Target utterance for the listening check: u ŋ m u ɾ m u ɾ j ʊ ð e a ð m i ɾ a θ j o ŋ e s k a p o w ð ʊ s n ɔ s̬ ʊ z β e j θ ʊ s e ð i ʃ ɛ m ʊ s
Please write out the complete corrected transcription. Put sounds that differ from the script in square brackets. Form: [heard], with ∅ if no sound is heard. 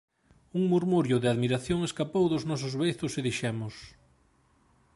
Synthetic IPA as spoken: u ŋ m u ɾ m u ɾ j ʊ ð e a ð m i ɾ a θ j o ŋ e s k a p o w ð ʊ [z] n ɔ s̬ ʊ z β e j θ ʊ s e ð i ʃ ɛ m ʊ s